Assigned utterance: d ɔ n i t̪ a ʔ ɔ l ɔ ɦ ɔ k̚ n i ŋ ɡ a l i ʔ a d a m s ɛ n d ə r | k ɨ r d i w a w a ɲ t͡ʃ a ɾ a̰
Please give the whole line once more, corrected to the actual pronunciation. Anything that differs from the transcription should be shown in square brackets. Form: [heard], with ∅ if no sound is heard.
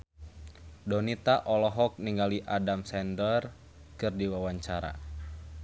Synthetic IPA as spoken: d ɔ n i t̪ a ʔ ɔ l ɔ ɦ ɔ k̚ n i ŋ ɡ a l i ʔ a d a m s ɛ n d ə r | k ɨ r d i w a w a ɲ t͡ʃ a ɾ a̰